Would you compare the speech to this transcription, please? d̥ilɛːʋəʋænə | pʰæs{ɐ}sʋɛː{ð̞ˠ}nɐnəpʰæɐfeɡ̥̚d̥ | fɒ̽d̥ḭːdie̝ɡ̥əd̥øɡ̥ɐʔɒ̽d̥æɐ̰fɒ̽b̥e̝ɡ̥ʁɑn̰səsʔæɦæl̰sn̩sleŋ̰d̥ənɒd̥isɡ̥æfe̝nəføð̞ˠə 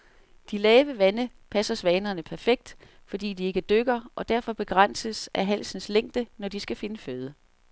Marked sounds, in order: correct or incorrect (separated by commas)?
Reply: correct, incorrect